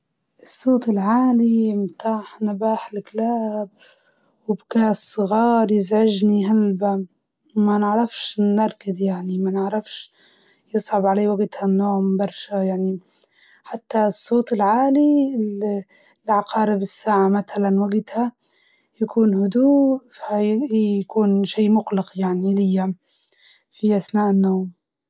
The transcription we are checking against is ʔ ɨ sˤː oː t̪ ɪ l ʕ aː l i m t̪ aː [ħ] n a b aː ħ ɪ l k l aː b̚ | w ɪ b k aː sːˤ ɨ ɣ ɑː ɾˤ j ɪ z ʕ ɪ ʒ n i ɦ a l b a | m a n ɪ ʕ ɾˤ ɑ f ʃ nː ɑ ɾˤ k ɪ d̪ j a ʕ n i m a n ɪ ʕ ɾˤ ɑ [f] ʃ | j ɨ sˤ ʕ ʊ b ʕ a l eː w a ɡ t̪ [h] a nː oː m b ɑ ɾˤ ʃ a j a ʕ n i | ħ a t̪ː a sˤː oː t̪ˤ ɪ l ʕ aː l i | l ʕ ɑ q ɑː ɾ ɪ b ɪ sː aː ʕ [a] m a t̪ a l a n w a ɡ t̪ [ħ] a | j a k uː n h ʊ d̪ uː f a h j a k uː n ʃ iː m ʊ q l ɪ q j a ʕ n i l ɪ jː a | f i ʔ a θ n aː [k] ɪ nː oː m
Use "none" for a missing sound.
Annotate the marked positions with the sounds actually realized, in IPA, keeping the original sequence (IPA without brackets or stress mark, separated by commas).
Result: ħ, f, h, a, h, ʔ